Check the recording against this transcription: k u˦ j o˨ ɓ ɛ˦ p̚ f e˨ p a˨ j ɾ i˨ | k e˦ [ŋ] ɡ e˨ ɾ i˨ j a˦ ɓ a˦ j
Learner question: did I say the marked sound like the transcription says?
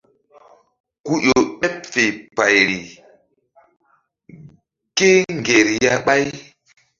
yes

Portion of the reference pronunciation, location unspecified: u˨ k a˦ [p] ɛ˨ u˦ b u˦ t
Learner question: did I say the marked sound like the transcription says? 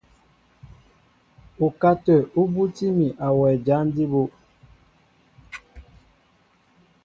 no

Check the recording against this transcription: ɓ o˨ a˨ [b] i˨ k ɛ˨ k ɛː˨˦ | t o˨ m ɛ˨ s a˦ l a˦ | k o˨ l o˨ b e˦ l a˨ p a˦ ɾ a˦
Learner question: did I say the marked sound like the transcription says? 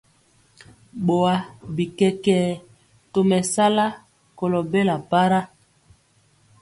yes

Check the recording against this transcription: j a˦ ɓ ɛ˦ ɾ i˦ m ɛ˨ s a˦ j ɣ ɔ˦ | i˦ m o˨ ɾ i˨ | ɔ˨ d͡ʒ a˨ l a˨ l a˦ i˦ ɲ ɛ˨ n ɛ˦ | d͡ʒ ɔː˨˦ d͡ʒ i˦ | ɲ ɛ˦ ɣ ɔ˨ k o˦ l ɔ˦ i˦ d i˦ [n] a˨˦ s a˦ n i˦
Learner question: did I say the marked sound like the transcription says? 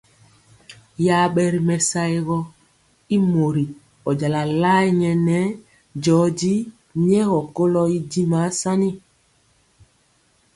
no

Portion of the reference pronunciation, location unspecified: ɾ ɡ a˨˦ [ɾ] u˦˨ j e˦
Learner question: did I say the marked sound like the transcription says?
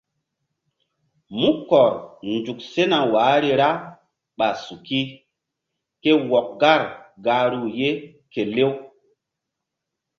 yes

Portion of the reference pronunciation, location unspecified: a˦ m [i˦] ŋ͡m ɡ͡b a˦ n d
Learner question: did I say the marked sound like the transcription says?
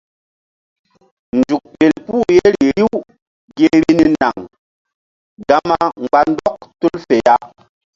no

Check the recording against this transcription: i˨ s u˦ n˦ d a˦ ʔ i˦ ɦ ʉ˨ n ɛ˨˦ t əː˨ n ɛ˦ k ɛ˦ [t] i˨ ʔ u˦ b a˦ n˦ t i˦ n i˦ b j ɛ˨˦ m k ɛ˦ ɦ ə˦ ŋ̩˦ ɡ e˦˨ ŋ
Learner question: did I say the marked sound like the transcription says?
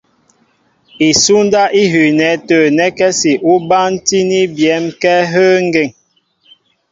no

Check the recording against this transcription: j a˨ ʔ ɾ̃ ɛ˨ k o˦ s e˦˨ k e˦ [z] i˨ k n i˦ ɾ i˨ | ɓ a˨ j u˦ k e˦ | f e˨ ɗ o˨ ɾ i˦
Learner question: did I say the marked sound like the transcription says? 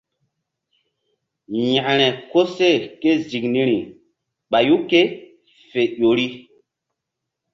yes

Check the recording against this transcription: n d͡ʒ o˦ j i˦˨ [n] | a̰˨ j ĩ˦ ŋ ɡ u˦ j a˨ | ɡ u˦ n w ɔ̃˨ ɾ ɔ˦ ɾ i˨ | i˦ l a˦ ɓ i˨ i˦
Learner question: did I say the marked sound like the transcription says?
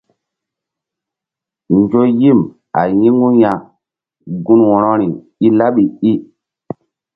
no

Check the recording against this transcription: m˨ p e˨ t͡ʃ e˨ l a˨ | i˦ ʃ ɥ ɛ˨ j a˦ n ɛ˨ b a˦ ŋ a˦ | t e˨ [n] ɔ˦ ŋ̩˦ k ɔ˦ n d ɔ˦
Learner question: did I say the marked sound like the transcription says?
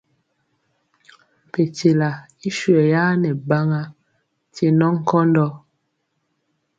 yes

